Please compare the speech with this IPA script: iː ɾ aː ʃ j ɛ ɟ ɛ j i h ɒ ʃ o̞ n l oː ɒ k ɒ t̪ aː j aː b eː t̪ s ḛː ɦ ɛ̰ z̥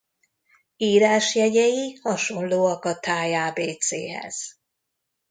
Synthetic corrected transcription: iː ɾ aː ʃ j ɛ ɟ ɛ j i h ɒ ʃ o̞ n l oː ɒ k ɒ t̪ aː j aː b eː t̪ s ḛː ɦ ɛ̰ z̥